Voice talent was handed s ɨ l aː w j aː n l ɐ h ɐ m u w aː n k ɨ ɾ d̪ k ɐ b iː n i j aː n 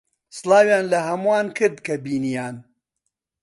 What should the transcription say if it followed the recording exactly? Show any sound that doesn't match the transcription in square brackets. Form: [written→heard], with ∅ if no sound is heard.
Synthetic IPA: s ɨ l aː w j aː n l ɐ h ɐ m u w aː n k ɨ ɾ d̪ k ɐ b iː n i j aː n